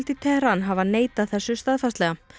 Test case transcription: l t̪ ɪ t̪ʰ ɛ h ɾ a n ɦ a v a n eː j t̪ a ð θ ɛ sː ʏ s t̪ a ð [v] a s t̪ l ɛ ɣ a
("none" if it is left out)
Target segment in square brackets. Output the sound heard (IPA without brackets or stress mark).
f